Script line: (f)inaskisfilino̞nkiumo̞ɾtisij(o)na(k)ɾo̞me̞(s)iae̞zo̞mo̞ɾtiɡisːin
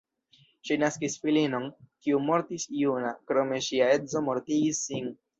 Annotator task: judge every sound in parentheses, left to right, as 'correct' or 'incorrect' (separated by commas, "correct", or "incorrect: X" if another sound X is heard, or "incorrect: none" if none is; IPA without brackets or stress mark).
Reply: incorrect: ʃ, incorrect: u, correct, incorrect: ʃ